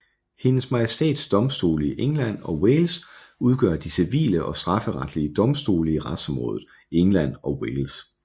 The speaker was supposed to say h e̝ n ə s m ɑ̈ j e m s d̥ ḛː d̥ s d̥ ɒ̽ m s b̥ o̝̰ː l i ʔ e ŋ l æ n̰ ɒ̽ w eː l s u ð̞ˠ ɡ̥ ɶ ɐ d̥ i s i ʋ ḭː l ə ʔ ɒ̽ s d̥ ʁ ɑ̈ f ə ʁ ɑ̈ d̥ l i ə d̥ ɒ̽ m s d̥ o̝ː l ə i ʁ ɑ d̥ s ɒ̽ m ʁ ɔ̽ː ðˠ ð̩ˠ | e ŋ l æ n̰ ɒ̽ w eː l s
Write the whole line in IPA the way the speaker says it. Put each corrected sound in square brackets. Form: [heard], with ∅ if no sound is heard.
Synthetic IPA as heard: h e̝ n ə s m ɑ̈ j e [∅] s d̥ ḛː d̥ s d̥ ɒ̽ m s [d̥] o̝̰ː l i ʔ e ŋ l æ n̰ ɒ̽ w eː l s u ð̞ˠ ɡ̥ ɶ ɐ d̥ i s i ʋ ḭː l ə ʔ ɒ̽ s d̥ ʁ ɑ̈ f ə ʁ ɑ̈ d̥ l i ə d̥ ɒ̽ m s d̥ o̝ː l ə i ʁ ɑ d̥ s ɒ̽ m ʁ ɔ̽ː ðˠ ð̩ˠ | e ŋ l æ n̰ ɒ̽ w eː l s